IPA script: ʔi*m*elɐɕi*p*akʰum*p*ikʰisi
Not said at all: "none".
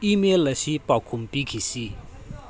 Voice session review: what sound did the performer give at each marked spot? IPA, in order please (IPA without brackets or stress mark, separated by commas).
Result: m, p, p